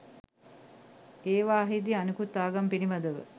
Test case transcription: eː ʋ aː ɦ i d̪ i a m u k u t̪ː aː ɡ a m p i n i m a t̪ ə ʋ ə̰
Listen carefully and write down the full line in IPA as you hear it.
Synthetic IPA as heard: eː ʋ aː ɦ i d̪ i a n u k u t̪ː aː ɡ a m p i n i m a d̪ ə ʋ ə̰